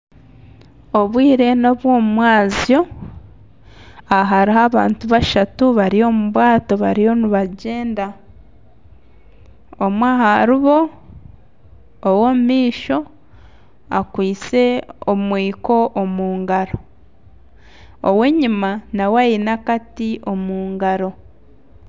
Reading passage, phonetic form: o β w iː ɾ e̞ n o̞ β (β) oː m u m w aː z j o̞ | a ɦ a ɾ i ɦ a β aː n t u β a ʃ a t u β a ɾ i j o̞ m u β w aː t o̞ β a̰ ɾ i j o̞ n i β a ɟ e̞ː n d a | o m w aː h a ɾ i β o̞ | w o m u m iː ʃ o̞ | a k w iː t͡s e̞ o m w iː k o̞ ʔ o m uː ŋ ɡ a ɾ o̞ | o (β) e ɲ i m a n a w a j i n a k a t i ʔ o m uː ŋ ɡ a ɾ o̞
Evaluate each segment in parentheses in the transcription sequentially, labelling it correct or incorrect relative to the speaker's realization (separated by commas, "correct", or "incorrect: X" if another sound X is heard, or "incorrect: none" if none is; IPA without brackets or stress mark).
incorrect: w, incorrect: w